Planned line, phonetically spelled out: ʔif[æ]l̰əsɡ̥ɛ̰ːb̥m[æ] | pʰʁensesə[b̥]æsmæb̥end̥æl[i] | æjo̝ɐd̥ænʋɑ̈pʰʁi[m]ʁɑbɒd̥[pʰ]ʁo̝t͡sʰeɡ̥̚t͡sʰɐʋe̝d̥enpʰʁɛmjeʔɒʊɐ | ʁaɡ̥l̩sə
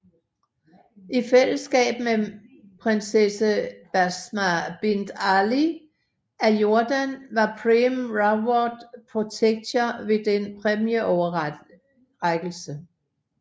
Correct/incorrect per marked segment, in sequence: incorrect: e, incorrect: e, correct, correct, correct, correct

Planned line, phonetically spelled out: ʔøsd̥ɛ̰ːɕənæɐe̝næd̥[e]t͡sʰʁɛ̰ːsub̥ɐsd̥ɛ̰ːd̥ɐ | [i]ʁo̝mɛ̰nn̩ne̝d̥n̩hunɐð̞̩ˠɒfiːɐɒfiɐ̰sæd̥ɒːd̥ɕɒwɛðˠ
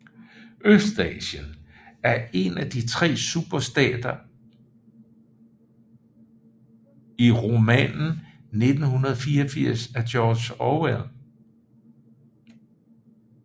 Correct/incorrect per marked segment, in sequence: incorrect: i, correct

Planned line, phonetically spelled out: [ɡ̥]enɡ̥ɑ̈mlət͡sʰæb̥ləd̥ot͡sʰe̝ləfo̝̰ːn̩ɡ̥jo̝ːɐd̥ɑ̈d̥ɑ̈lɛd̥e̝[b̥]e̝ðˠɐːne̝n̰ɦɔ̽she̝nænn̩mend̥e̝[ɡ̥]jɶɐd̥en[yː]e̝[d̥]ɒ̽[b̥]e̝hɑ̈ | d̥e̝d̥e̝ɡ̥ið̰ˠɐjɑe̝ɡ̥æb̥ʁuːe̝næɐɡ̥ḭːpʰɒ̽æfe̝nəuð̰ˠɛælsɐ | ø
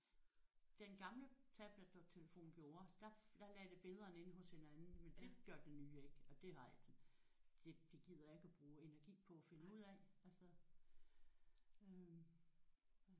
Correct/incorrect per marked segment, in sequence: incorrect: d̥, correct, correct, correct, incorrect: ɡ̥, incorrect: d̥

